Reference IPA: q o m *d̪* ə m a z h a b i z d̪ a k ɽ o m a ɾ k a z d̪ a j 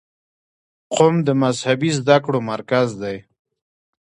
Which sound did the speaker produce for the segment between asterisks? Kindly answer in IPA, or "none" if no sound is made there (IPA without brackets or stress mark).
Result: d̪